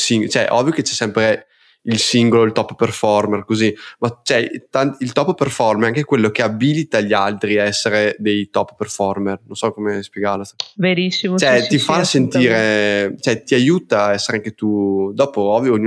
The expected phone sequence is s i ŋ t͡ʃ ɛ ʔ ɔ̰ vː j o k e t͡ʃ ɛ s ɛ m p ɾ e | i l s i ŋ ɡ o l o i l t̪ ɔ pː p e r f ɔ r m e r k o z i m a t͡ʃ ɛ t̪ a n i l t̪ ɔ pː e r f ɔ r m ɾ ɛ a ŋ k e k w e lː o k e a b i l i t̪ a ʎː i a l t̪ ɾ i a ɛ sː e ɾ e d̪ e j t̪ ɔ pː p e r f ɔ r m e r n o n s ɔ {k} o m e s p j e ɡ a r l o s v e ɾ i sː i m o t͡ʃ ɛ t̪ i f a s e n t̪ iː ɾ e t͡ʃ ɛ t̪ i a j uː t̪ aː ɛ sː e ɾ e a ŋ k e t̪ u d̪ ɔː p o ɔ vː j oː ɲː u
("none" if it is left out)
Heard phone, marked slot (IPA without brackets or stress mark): k